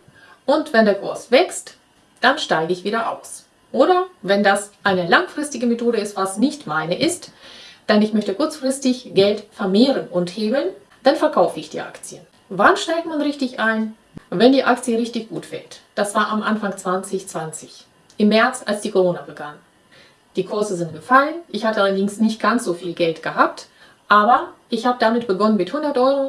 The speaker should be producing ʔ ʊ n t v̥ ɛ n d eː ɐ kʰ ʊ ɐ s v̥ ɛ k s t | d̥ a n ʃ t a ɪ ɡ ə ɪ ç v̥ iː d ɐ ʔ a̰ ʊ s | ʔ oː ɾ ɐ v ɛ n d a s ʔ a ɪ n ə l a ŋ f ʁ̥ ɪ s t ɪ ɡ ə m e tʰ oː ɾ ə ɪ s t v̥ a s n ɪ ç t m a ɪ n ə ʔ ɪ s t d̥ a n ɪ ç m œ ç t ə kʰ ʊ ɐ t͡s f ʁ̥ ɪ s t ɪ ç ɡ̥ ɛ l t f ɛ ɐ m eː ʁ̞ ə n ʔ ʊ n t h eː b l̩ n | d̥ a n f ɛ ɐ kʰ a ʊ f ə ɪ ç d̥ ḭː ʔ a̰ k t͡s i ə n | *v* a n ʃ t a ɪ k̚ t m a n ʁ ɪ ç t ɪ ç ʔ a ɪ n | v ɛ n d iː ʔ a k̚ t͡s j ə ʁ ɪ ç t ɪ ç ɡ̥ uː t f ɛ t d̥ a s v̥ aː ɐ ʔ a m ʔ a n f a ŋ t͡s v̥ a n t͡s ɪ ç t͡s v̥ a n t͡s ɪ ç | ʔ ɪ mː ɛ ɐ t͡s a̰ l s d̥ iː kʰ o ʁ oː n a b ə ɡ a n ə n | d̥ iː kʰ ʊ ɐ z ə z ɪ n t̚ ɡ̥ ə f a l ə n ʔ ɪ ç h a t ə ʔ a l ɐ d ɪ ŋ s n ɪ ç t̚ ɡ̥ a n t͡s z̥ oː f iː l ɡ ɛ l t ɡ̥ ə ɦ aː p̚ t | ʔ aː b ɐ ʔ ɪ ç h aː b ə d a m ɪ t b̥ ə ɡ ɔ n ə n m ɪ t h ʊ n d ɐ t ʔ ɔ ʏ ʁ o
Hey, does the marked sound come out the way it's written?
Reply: yes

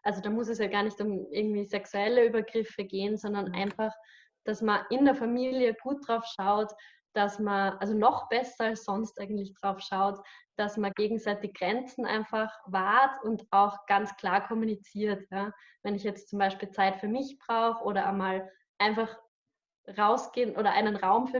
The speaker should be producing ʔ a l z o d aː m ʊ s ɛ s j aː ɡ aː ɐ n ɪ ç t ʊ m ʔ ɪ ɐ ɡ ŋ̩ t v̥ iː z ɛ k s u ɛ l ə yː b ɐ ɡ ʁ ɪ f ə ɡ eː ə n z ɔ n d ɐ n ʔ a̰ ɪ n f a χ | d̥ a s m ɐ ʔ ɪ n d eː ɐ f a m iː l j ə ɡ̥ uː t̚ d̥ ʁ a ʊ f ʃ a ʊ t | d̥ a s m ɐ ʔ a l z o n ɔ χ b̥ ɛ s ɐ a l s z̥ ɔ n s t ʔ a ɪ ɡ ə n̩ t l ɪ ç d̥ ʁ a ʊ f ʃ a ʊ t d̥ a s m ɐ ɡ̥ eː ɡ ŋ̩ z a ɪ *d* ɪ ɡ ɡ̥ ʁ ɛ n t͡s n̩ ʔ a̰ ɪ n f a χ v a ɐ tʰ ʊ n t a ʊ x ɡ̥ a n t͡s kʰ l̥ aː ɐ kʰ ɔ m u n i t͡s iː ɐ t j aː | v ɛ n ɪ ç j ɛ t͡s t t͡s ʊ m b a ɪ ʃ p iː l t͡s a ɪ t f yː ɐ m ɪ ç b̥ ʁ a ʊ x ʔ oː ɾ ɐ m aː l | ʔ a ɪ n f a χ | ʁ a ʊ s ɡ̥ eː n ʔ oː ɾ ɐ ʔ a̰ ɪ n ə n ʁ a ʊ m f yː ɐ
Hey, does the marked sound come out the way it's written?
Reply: no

